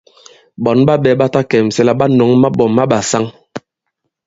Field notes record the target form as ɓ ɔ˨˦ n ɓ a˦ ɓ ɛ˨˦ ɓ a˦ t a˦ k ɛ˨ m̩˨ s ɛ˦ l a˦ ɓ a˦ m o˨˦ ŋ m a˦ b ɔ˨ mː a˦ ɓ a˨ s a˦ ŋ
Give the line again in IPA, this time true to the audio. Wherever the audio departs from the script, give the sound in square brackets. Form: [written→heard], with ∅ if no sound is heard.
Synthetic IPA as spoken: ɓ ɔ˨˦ n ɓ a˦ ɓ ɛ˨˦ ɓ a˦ t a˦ k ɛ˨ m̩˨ s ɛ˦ l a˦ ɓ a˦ [m→n] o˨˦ ŋ m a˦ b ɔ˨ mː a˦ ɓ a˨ s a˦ ŋ